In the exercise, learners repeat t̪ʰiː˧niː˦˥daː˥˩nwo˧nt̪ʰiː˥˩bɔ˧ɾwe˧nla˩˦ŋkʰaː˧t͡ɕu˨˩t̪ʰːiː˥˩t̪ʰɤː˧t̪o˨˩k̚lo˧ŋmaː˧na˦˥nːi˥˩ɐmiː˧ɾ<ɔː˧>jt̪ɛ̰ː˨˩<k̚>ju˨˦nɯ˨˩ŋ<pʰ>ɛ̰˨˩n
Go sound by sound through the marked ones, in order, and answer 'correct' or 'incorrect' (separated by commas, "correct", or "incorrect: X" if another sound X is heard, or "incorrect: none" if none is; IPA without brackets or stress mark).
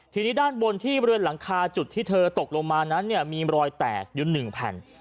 correct, correct, correct